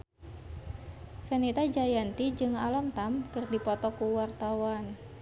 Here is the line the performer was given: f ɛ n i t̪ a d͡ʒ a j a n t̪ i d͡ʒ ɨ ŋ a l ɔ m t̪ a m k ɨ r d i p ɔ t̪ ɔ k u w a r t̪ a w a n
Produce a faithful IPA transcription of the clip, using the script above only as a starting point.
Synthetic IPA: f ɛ n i t̪ a d͡ʒ a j a n t̪ i d͡ʒ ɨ ŋ a l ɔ m t̪ a m k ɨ r d i p ɔ t̪ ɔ k u w a r t̪ a w a n